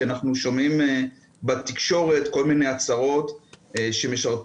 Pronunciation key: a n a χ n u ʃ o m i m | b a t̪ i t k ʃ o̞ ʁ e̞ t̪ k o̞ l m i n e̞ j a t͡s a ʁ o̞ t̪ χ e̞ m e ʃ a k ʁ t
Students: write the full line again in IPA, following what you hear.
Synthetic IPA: a n a χ n u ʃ o m i m | b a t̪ i k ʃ o̞ ʁ e̞ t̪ k o̞ l m i n e̞ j a t͡s a ʁ o̞ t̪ ʃ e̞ m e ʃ a ʁ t